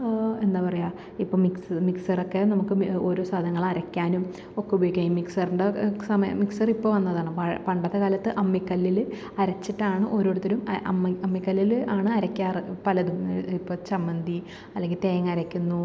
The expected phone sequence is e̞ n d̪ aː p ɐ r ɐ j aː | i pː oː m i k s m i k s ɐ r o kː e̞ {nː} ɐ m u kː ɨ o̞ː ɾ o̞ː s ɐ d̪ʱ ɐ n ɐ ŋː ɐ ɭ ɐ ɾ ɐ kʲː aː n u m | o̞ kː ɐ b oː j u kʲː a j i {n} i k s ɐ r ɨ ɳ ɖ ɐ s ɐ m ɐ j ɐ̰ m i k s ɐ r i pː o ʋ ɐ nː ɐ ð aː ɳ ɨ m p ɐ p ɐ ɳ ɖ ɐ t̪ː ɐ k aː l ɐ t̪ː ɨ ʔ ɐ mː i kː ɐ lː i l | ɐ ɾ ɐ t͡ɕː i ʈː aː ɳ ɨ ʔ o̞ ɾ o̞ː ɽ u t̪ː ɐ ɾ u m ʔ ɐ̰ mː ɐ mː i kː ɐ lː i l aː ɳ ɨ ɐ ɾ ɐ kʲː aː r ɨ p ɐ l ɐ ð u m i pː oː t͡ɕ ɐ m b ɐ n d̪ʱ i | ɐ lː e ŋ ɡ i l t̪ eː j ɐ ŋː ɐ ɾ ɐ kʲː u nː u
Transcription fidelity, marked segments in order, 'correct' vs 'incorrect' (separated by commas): incorrect, incorrect